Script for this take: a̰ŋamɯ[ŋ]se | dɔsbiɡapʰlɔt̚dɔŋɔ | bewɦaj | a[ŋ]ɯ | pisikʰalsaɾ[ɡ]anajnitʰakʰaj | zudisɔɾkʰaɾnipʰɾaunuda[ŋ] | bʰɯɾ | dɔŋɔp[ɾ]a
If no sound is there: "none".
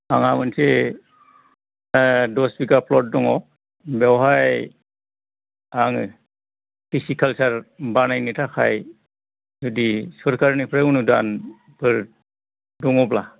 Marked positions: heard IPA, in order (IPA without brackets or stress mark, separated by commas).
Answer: n, ŋ, b, n, l